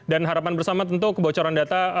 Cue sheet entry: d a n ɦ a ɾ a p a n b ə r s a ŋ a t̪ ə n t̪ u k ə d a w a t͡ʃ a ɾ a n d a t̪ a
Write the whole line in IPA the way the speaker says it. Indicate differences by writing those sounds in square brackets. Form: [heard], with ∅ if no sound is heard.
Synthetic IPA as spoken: d a n ɦ a ɾ a p a n b ə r s a [m] a t̪ ə n t̪ u k ə [b] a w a t͡ʃ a ɾ a n d a t̪ a